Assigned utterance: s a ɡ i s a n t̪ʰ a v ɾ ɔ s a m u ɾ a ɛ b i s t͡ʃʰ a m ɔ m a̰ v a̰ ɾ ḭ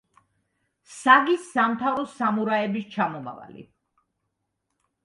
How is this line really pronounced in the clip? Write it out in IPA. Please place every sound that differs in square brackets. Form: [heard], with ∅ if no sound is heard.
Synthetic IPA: s a ɡ i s a [m] t̪ʰ a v ɾ ɔ s a m u ɾ a ɛ b i s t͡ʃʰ a m ɔ m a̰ v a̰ [l] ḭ